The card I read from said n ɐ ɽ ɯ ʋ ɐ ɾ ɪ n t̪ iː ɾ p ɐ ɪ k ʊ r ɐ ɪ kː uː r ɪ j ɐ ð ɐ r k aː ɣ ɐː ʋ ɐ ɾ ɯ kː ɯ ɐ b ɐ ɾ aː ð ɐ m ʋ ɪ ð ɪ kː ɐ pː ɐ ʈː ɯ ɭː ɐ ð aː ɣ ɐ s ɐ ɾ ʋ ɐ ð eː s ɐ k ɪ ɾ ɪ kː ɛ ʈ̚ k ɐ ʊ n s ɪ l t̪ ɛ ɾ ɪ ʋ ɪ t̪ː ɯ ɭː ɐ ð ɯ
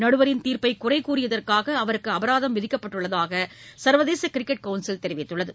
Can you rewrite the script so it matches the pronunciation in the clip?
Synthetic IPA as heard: n ɐ ɽ ɯ ʋ ɐ ɾ ɪ n t̪ iː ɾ p ɐ ɪ k ʊ r ɐ ɪ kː uː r ɪ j ɐ ð ɐ r k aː ɣ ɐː ʋ ɐ ɾ ɯ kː ɯ ɐ b ɐ ɾ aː ð ɐ m ʋ ɪ ð ɪ kː ɐ pː ɐ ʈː ɯ ɭː ɐ ð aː ɣ ɐ s ɐ ɾ ʋ ɐ ð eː s ɐ k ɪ ɾ ɪ kː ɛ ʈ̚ k ɐ ʊ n s ɪ l t̪ ɛ ɾ ɪ ʋ ɪ t̪ː ɯ ɭː ɐ ð ɯ